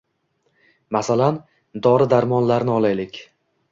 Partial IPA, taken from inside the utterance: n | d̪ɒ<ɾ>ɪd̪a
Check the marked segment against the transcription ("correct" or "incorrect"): correct